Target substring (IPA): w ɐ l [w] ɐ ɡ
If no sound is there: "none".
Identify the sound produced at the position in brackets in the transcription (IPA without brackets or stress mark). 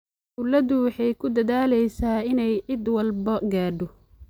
b